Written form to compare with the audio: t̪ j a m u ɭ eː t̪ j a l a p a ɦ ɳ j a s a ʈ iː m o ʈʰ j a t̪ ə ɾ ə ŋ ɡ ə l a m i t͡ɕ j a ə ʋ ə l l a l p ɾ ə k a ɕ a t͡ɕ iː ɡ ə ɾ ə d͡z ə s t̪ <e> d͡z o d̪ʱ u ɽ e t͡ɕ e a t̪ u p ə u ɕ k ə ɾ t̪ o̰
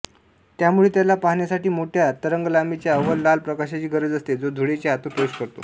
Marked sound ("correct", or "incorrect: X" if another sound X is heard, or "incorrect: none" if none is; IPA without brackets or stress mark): correct